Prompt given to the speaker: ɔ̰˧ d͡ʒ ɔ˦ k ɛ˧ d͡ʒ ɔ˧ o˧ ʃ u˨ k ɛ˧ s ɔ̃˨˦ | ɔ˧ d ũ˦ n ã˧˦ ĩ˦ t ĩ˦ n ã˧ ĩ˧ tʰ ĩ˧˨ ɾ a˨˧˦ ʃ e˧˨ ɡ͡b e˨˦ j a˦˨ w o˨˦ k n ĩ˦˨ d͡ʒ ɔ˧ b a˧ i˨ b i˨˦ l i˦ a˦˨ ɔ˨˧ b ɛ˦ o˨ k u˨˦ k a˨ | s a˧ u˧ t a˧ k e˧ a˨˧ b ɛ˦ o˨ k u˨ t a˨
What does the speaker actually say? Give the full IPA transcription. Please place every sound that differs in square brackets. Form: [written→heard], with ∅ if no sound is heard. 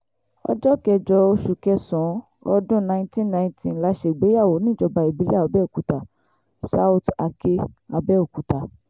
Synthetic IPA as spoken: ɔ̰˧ d͡ʒ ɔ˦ k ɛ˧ d͡ʒ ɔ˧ o˧ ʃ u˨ k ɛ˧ s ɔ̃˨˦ | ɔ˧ d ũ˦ n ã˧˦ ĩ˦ t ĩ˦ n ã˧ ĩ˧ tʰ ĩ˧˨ [ɾ→l] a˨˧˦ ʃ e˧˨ ɡ͡b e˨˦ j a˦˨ w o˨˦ [k→∅] n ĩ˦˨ d͡ʒ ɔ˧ b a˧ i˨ b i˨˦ l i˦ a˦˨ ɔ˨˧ b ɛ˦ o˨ k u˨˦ [k→t] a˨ | s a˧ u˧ t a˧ k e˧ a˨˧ b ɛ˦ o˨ k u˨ t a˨